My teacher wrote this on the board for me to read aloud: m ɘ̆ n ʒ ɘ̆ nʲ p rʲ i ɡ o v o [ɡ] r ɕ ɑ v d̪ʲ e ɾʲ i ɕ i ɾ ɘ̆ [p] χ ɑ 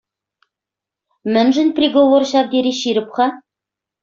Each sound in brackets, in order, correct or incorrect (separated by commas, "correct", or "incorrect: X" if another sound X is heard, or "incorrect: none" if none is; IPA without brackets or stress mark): incorrect: none, correct